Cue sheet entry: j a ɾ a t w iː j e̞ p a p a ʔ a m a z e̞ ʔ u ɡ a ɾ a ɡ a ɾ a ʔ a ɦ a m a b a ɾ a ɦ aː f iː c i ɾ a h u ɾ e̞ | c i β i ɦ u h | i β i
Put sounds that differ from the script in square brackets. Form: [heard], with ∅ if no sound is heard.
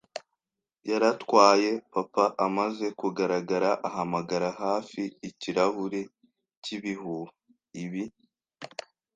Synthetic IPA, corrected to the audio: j a ɾ a t w [aː] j e̞ p a p a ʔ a m a z e̞ [k] u ɡ a ɾ a ɡ a ɾ a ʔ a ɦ a m a [ɡ] a ɾ a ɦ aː f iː c i ɾ a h u ɾ e̞ | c i β i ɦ u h | i β i